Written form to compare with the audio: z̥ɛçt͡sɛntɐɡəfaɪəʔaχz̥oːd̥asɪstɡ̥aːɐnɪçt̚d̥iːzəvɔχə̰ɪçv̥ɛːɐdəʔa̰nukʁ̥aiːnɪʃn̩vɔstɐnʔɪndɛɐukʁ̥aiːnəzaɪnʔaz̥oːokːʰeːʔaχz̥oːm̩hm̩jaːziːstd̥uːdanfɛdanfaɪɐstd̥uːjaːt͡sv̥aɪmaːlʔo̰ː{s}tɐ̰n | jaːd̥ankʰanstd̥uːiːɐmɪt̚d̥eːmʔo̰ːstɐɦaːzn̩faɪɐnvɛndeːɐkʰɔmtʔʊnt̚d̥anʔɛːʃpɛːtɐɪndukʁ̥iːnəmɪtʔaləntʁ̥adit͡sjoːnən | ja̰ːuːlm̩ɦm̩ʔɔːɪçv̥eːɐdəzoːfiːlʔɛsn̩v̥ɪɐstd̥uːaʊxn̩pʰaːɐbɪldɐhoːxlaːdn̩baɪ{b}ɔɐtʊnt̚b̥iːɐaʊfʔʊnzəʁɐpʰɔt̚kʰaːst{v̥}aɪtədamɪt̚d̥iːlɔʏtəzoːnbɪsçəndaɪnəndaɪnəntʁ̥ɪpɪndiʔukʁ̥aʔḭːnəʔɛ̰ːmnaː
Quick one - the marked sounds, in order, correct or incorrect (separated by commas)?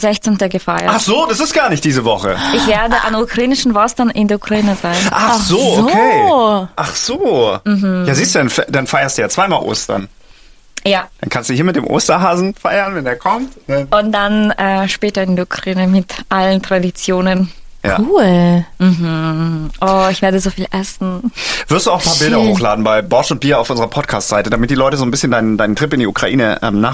correct, correct, incorrect